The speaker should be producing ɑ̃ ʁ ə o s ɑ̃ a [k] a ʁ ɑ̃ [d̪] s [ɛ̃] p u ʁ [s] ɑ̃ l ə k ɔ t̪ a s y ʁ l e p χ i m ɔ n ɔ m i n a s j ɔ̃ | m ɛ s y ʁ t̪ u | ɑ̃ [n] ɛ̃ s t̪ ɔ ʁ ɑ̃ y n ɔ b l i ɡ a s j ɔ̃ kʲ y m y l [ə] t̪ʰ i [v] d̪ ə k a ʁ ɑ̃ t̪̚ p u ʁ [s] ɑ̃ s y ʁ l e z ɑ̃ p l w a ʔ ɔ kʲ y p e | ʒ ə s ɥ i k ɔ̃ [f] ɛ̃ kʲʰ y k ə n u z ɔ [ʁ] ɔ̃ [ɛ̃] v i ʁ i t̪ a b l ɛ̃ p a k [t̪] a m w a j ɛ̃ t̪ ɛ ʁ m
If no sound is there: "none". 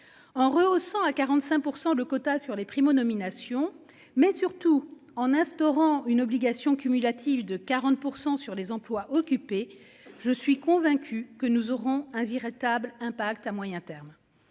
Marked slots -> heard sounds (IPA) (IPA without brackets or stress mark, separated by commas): k, t̪, ɛ̃, s, n, a, v, s, v, ʁ, ɛ̃, t̪